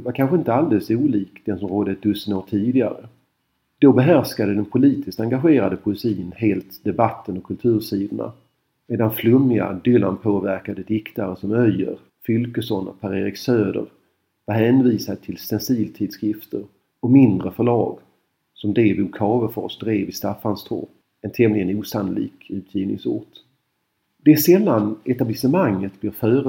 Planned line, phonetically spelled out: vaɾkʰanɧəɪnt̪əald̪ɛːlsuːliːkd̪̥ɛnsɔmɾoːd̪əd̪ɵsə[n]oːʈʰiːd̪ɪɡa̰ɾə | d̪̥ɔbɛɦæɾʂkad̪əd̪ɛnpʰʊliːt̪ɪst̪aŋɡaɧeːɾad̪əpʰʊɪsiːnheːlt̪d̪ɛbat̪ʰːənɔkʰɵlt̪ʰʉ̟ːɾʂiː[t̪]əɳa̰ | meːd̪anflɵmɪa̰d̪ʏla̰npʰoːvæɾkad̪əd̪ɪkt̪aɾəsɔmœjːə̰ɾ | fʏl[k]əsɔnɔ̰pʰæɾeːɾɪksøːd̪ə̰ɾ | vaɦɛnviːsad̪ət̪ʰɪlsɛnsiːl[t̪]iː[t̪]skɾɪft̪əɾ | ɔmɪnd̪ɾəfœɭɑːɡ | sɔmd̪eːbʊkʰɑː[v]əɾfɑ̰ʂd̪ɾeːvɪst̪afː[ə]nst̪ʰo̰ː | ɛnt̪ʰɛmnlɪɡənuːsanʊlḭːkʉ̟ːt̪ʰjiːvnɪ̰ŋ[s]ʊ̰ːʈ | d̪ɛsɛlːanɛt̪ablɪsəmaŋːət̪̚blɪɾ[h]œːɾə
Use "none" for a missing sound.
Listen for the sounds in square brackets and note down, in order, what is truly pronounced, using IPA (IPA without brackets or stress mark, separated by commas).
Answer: n, d̪, k, t̪ʰ, d̪, v, a, s, f